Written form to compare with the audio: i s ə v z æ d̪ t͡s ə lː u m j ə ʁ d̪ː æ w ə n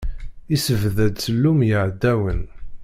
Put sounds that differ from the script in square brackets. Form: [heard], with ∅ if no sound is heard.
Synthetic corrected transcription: i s ə v [ð] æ d̪ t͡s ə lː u m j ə [ʕ] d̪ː æ w ə n